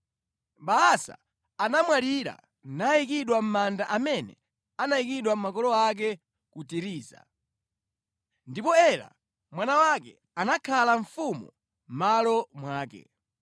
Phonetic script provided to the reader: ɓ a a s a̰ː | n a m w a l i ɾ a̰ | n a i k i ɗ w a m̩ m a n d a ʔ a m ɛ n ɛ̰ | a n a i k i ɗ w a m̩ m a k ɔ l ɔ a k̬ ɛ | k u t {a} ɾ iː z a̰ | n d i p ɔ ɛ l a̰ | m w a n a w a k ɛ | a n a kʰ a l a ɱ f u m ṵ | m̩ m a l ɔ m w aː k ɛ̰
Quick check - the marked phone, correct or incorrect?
incorrect: i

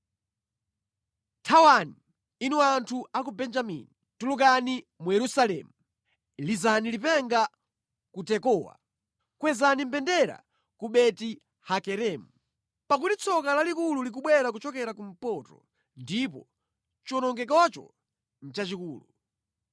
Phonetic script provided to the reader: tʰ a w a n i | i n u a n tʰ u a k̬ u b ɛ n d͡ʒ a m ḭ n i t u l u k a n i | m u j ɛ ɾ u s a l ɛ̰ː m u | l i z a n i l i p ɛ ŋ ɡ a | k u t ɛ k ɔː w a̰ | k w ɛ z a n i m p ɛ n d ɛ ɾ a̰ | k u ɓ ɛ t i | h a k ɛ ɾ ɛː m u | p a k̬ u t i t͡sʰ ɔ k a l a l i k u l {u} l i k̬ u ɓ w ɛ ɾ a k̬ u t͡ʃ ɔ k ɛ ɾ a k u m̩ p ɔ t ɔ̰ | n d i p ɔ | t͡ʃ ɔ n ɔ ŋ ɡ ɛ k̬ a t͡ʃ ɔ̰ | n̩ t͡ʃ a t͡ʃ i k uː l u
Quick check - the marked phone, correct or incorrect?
correct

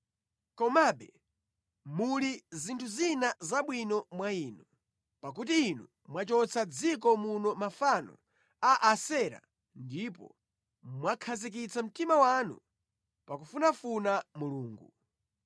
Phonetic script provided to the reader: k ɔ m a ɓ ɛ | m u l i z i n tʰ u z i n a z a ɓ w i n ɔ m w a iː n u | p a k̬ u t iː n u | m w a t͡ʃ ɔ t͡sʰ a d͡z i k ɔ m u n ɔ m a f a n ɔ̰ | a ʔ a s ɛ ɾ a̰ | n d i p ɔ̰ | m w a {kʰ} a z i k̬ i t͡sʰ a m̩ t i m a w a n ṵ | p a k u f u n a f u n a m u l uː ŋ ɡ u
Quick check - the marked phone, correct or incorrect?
correct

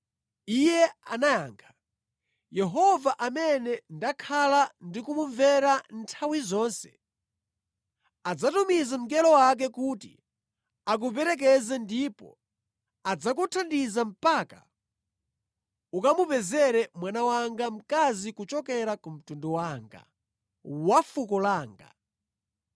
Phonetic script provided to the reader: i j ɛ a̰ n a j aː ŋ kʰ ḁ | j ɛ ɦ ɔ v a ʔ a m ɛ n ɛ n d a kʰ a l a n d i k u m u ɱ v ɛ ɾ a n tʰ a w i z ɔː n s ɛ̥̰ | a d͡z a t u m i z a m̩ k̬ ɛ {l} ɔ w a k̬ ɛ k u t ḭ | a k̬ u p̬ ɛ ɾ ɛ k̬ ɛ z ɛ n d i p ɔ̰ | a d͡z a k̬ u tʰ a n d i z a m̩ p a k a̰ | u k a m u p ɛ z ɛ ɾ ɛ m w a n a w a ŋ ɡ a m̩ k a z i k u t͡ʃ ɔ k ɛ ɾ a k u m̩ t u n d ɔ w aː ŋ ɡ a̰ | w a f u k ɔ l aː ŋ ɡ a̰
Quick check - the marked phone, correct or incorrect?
correct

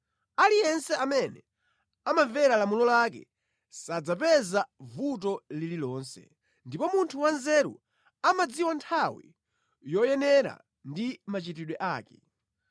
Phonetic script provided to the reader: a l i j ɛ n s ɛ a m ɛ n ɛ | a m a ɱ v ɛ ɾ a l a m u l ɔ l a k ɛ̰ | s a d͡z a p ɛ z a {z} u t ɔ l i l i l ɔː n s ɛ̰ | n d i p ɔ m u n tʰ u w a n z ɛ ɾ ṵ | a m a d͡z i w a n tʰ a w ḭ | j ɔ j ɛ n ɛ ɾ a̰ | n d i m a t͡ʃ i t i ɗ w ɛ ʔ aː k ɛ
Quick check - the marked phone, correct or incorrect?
incorrect: v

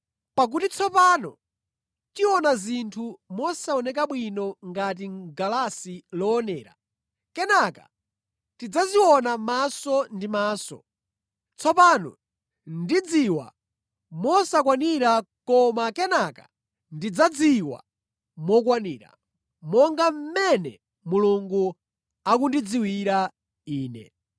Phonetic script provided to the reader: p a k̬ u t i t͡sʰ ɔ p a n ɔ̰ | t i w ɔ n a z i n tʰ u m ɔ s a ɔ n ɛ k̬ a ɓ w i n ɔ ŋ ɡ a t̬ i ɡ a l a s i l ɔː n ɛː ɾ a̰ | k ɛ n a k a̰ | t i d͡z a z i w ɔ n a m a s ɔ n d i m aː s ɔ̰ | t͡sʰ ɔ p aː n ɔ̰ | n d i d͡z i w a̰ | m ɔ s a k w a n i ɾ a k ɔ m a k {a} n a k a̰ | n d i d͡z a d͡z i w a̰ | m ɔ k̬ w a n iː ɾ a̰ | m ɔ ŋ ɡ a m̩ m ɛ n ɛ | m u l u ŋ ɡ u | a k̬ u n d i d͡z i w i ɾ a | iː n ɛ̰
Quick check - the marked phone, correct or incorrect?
incorrect: ɛ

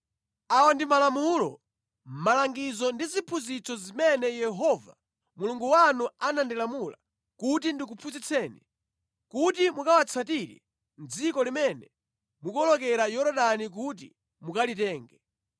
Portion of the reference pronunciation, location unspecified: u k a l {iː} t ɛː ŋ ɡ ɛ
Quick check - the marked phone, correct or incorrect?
incorrect: i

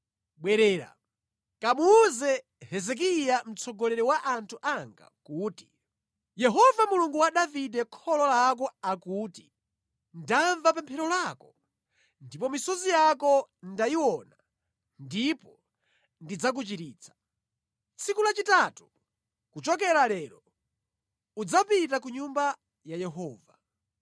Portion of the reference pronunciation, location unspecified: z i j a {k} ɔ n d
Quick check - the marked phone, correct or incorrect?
correct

